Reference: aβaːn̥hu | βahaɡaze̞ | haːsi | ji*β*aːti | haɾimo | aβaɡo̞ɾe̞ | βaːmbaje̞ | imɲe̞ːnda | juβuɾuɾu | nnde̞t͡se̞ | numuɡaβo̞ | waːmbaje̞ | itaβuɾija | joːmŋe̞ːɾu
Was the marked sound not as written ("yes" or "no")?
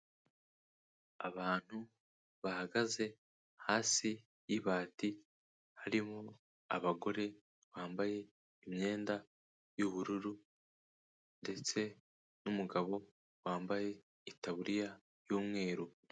no